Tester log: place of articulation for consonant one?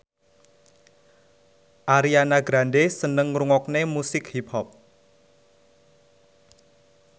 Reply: glottal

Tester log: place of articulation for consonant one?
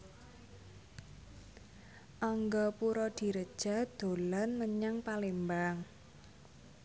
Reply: glottal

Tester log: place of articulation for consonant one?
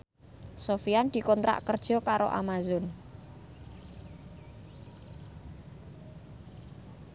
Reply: alveolar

